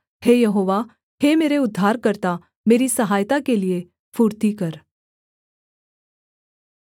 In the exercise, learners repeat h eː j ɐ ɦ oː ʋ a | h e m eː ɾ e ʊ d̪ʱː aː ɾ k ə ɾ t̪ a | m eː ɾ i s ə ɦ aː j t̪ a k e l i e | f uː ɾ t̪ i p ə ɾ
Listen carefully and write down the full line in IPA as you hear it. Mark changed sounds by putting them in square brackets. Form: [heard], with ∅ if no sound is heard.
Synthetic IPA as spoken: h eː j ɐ ɦ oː ʋ a | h e m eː ɾ e ʊ d̪ʱː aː ɾ k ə ɾ t̪ a | m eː ɾ i s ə ɦ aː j t̪ a k e l i e | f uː ɾ t̪ i [k] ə ɾ